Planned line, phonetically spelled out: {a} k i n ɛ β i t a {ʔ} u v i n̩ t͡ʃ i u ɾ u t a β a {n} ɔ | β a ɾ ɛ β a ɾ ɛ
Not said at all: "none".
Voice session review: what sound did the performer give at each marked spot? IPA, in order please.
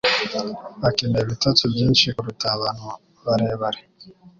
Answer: a, t, n

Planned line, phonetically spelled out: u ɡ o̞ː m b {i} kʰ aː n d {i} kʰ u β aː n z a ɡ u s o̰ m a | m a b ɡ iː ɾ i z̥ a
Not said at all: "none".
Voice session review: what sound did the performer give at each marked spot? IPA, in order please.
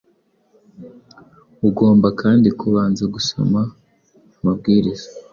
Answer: a, i

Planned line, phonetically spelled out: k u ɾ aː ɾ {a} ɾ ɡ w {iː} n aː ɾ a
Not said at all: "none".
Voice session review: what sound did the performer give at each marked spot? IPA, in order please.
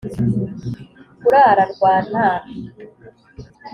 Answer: a, aː

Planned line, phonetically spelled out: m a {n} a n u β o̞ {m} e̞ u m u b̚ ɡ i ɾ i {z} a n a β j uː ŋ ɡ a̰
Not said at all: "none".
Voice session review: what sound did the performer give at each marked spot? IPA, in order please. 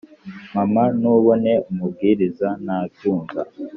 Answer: m, n, z

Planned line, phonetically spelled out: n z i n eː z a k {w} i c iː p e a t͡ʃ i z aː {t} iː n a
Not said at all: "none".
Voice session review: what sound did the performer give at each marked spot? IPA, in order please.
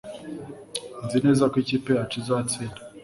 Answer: w, t͡s

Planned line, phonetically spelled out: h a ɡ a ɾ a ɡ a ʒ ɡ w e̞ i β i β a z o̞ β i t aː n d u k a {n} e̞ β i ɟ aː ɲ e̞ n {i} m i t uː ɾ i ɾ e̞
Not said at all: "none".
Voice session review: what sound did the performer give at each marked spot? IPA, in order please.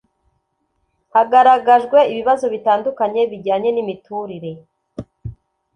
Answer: ɲ, i

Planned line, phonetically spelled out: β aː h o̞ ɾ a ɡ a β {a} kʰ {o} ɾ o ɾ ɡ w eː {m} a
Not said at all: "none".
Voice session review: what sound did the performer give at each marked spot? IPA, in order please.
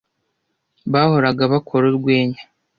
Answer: a, o, ɲ

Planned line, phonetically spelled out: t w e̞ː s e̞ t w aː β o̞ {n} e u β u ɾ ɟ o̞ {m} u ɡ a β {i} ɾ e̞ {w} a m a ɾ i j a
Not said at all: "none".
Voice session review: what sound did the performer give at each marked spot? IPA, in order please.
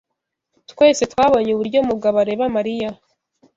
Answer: ɲ, m, a, β

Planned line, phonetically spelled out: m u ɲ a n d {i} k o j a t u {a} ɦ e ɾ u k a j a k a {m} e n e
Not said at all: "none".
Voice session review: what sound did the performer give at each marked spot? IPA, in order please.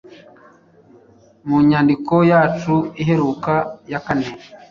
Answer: i, i, n

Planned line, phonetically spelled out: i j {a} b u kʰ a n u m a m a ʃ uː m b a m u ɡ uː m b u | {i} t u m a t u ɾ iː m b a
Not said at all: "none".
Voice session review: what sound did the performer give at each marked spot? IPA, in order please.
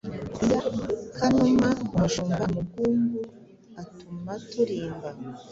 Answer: a, a

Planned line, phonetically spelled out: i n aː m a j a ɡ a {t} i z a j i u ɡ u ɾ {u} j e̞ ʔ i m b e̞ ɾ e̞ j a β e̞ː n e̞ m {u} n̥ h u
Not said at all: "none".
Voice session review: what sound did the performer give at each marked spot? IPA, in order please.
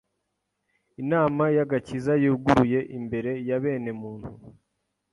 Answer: c, u, uː

